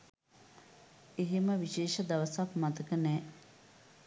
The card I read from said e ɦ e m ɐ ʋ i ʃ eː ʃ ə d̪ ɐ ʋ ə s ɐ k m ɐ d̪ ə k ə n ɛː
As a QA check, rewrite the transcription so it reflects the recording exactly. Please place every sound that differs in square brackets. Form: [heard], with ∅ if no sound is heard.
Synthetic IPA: e ɦ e m [ə] ʋ i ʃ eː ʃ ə d̪ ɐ ʋ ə s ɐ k m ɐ [t̪] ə k ə n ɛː